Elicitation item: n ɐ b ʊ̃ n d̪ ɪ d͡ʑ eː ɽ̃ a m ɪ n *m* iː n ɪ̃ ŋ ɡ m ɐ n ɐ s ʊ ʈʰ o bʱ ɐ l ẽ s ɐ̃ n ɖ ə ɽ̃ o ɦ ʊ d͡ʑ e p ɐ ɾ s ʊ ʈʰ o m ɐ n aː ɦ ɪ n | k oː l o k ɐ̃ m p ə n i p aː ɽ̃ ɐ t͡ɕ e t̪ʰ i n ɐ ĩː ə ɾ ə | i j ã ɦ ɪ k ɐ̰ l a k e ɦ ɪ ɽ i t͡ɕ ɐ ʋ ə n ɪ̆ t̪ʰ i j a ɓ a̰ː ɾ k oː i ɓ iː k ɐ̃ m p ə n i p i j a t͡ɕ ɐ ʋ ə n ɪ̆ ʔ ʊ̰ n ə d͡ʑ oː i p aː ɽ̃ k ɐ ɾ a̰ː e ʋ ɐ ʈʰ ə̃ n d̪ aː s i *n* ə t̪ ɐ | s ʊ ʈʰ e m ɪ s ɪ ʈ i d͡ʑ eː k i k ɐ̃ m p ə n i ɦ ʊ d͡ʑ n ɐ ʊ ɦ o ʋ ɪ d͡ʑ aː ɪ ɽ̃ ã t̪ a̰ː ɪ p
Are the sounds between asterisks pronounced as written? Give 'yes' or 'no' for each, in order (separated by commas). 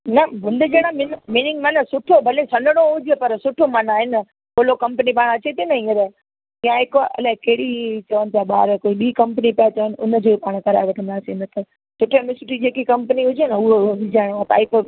yes, yes